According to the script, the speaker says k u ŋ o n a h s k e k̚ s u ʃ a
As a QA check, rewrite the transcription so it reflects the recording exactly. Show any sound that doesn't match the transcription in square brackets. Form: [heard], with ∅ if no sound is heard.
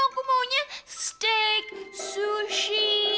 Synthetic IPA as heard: k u [m] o [ɲ] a [s] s [t] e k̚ s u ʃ [i]